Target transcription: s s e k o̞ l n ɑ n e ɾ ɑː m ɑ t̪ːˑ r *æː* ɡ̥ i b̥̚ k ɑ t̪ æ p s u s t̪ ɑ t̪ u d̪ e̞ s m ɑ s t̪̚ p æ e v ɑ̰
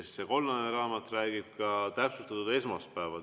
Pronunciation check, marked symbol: correct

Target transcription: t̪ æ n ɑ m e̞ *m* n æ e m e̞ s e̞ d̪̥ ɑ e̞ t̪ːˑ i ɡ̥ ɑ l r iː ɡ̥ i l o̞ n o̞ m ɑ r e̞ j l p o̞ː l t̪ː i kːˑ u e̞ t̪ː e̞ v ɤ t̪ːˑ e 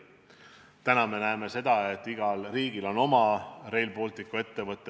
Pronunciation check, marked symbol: incorrect: none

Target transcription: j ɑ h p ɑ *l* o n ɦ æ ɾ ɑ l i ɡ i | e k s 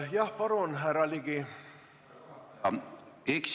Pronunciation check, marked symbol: incorrect: ɾ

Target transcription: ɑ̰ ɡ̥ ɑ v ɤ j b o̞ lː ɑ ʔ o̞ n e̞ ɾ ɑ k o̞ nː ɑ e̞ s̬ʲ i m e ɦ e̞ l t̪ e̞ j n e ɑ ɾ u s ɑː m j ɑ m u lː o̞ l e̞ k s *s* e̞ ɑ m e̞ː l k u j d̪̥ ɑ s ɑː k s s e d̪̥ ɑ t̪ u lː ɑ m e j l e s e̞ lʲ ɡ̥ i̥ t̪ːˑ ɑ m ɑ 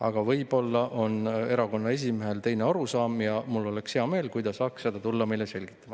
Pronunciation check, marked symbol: incorrect: h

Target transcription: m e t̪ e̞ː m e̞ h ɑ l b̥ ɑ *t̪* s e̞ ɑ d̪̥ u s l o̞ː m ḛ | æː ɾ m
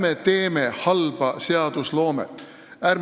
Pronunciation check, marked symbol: incorrect: none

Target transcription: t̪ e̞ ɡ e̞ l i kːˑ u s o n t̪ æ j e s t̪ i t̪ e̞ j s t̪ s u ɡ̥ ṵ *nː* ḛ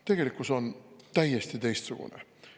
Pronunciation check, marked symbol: incorrect: n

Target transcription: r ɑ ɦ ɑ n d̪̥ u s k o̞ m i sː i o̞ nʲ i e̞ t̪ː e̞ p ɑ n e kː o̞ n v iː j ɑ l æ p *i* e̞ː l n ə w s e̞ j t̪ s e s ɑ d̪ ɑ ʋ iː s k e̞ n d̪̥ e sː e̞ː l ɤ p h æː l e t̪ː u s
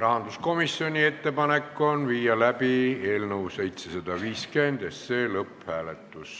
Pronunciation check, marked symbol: correct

